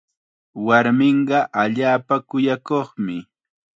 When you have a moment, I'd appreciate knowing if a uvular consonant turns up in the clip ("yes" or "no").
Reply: yes